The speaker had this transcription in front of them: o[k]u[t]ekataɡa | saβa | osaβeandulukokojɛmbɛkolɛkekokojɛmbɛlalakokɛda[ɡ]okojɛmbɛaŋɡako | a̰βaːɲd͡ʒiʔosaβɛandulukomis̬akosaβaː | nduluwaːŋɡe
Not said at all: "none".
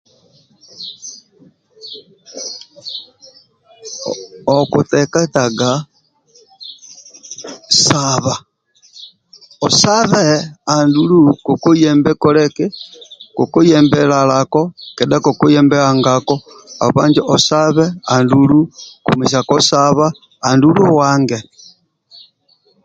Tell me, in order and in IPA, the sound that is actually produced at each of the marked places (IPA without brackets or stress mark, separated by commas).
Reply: k, t, k